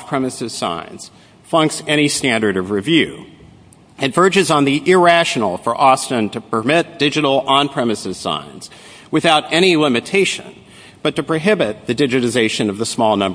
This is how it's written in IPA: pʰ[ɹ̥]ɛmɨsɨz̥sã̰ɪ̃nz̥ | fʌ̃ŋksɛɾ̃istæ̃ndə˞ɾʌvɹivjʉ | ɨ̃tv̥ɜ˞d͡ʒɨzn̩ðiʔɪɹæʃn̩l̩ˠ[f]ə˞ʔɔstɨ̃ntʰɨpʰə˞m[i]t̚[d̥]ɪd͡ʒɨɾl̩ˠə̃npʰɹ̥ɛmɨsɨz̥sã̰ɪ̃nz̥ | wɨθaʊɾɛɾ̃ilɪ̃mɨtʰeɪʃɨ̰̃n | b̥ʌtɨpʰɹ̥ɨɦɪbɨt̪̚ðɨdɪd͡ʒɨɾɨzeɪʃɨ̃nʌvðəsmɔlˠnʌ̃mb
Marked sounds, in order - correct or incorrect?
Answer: correct, correct, incorrect: ɪ, correct

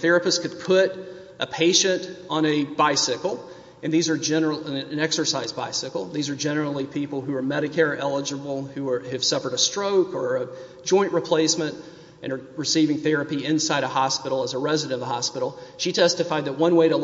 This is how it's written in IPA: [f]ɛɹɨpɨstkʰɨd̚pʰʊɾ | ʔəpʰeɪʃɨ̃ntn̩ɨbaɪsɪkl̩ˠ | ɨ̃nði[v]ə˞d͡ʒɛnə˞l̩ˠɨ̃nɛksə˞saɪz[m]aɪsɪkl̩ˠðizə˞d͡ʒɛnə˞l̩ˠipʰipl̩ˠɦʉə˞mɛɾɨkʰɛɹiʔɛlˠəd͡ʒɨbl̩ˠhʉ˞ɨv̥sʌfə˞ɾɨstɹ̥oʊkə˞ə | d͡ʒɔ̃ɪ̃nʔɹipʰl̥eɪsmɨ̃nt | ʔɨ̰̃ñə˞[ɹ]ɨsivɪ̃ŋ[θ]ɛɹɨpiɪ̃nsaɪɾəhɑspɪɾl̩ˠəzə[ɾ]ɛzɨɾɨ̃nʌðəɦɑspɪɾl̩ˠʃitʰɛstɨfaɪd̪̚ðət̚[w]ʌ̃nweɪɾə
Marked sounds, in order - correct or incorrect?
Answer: incorrect: θ, incorrect: z, incorrect: b, correct, correct, incorrect: ɹ, correct

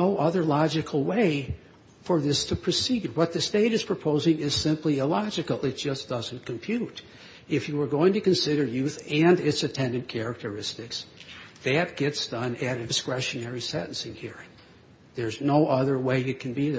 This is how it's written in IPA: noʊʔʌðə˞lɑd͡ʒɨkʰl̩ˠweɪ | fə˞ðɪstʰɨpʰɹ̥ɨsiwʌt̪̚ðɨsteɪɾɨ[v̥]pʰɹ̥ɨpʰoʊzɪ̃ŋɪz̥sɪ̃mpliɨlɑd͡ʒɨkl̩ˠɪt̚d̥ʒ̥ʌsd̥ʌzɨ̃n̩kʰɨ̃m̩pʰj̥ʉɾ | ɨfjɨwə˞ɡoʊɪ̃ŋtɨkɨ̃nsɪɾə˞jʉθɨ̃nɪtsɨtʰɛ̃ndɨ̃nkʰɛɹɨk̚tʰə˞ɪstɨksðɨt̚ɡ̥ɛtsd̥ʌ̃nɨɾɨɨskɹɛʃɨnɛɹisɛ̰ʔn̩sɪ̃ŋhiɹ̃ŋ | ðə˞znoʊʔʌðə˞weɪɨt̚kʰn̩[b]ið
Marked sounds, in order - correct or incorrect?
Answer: incorrect: z̥, correct

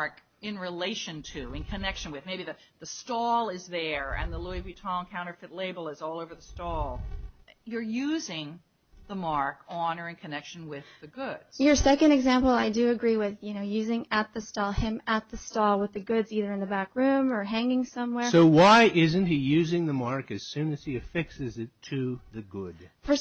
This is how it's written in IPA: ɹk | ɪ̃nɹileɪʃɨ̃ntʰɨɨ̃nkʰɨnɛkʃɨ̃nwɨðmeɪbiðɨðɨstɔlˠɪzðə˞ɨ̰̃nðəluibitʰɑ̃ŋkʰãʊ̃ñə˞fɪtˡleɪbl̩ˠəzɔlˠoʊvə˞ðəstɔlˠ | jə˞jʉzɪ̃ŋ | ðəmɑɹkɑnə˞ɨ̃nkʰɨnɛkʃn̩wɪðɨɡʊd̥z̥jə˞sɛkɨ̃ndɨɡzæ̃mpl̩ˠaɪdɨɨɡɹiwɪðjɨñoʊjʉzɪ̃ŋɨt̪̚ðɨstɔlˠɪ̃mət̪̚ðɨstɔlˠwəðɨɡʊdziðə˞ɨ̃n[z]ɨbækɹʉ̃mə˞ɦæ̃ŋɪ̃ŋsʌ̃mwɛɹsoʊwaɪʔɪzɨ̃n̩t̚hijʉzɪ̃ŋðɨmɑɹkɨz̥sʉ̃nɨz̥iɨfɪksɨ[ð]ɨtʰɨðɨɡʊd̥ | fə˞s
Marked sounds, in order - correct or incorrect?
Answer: incorrect: ð, incorrect: z

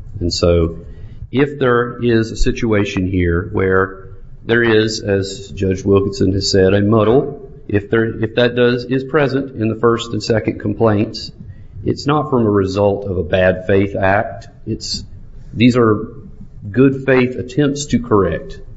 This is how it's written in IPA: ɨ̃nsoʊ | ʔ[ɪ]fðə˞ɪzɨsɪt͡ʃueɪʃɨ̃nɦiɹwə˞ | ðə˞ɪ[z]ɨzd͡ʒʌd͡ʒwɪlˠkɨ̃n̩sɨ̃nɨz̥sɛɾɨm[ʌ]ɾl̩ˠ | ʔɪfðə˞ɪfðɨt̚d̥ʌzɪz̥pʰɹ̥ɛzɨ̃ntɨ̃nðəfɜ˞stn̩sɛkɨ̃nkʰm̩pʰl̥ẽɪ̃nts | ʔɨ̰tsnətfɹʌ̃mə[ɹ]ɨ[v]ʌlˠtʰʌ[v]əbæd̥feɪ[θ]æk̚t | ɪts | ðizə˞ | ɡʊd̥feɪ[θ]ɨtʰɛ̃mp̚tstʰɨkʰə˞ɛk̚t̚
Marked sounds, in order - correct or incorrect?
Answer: correct, correct, correct, correct, incorrect: z, correct, correct, correct

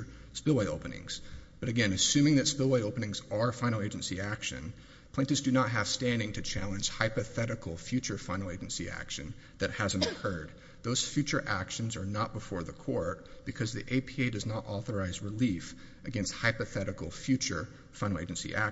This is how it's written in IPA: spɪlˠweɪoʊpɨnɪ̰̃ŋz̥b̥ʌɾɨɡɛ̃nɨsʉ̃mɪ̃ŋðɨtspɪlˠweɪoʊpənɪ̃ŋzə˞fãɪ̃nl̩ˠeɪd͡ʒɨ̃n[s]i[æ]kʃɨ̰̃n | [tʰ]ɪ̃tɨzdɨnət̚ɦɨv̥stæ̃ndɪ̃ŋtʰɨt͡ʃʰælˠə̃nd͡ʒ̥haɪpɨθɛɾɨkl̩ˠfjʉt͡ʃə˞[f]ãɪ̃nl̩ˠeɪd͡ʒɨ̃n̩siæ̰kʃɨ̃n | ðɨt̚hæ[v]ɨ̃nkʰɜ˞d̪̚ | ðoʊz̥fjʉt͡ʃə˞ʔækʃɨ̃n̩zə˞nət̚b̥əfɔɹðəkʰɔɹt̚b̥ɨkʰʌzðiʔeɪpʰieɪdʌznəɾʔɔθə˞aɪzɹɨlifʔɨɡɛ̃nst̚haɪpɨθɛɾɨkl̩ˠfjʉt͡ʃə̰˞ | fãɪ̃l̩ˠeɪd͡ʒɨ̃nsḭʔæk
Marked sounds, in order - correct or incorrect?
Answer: correct, correct, incorrect: pʰ, correct, incorrect: z

